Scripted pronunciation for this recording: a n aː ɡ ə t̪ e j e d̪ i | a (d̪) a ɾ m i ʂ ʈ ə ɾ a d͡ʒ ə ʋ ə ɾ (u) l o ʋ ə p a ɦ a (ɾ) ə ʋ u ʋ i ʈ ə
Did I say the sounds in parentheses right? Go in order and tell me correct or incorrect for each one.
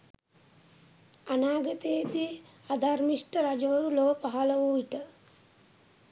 correct, correct, incorrect: l

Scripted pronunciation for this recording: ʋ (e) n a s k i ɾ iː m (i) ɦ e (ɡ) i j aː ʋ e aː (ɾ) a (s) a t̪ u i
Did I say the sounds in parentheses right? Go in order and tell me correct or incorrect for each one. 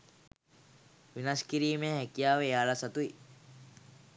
incorrect: i, incorrect: e, incorrect: k, incorrect: l, correct

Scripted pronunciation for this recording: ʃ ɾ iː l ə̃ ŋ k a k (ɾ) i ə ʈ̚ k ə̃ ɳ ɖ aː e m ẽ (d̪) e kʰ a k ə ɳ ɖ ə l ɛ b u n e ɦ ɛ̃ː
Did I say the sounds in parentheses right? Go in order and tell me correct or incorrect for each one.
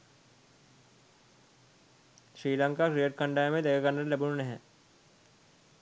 correct, correct

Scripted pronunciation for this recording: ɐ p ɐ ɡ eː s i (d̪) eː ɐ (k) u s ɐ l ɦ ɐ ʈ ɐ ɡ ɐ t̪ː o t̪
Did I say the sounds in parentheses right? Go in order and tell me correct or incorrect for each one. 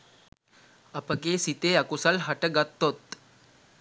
incorrect: t̪, correct

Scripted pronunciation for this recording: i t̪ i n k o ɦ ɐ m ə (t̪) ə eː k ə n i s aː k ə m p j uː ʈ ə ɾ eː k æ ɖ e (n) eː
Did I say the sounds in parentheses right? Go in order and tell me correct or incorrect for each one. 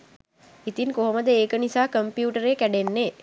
incorrect: d̪, incorrect: nː

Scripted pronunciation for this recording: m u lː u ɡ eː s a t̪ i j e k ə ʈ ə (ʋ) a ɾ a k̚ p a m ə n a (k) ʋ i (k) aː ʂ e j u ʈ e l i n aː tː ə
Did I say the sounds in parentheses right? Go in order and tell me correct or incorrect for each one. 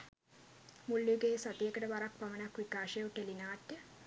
correct, correct, correct

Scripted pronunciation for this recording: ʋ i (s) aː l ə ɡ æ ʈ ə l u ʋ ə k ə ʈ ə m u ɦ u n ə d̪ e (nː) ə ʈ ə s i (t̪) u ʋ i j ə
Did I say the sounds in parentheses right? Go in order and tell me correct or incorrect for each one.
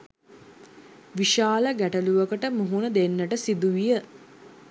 incorrect: ʃ, correct, incorrect: d̪

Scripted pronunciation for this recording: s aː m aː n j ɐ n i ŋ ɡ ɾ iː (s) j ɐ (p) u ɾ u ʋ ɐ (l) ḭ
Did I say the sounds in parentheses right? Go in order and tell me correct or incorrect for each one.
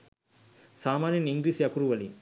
correct, incorrect: k, correct

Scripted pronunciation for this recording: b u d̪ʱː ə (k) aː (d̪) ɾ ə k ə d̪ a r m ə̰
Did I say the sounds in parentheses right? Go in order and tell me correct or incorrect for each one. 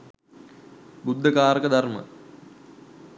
correct, incorrect: none

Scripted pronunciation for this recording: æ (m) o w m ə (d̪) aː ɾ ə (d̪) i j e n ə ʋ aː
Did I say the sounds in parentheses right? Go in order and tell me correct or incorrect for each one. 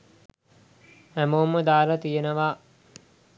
correct, correct, incorrect: t̪

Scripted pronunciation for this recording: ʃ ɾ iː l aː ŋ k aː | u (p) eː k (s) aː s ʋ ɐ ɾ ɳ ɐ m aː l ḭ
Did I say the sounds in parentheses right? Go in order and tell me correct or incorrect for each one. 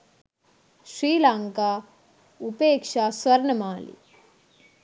correct, incorrect: ʂ

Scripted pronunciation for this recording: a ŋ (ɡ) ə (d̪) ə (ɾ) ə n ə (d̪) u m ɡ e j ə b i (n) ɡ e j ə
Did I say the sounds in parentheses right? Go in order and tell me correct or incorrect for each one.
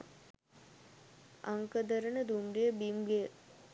incorrect: k, correct, correct, correct, incorrect: m

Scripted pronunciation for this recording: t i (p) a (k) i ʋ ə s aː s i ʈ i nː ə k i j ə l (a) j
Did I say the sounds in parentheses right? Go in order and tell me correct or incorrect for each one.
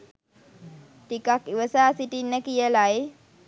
incorrect: k, correct, correct

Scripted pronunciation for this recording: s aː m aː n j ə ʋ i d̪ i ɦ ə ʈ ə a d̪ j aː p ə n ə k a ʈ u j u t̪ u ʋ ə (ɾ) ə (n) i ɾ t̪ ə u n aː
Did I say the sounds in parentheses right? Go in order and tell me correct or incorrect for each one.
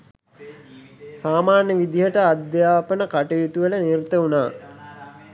incorrect: l, correct

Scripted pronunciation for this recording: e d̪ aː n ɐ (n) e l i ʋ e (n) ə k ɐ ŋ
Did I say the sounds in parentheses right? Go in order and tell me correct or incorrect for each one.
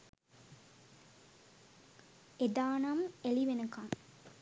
incorrect: m, correct

